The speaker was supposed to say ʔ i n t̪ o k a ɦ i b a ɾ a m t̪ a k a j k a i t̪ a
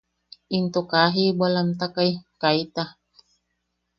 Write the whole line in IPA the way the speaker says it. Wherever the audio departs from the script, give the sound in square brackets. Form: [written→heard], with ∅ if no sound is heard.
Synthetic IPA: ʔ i n t̪ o k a ɦ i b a [ɾ→l] a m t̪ a k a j k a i t̪ a